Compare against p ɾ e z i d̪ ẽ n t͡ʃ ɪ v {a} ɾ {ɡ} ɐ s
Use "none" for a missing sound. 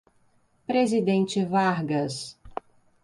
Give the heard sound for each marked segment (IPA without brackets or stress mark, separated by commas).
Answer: a, ɡ